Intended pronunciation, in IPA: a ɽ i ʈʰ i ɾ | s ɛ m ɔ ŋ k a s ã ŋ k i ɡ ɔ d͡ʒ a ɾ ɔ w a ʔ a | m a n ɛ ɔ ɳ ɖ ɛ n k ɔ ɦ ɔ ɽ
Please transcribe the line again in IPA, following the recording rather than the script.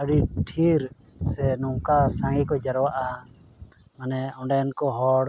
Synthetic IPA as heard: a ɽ i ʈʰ i ɾ | s ɛ n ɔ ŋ k a s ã ŋ ɡ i k ɔ d͡ʒ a ɾ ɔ w a ʔ a | m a n ɛ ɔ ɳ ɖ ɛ n k ɔ ɦ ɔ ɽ